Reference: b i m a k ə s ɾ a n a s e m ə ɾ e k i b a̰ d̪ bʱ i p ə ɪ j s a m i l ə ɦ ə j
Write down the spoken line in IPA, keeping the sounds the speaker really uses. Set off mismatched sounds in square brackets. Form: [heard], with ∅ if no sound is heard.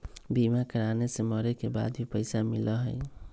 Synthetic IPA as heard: b i m a k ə [∅] ɾ a n [e] s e m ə ɾ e k [e] b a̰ d̪ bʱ i p ə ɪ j s a m i l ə ɦ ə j